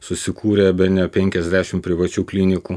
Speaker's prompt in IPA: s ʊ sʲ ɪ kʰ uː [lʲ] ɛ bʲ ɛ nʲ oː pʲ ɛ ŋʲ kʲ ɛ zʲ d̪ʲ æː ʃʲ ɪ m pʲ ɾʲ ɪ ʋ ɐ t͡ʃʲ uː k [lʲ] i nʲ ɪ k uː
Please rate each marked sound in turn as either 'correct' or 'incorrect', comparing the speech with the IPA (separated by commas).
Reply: incorrect, correct